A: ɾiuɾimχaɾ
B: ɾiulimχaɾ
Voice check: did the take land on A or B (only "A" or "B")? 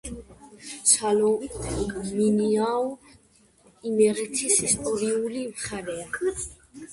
B